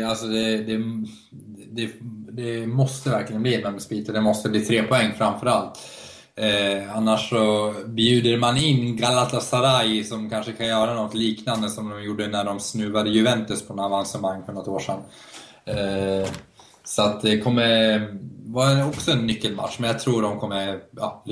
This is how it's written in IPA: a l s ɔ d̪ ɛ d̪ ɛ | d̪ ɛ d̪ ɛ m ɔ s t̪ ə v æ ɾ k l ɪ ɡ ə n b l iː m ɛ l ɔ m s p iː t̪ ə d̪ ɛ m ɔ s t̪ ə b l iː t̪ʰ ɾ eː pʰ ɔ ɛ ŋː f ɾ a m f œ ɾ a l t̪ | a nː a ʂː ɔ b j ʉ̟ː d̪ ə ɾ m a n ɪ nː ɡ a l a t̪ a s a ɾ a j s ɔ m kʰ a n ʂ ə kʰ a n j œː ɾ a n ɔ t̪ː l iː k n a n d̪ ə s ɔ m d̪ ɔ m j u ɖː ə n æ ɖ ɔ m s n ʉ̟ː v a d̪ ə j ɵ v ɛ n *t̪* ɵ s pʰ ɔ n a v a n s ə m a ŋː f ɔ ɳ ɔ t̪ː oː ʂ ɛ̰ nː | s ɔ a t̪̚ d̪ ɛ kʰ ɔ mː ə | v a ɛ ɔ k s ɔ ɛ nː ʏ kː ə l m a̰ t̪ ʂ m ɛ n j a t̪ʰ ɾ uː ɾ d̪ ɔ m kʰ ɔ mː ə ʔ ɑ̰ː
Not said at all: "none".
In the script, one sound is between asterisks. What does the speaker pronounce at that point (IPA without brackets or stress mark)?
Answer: t̪